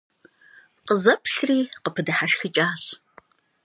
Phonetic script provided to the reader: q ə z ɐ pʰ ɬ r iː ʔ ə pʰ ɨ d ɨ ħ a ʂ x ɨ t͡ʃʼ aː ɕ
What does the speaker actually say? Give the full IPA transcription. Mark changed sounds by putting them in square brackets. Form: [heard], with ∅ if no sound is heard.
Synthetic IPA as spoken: q ə z ɐ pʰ ɬ r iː [q] ə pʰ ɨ d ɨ ħ a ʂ x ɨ t͡ʃʼ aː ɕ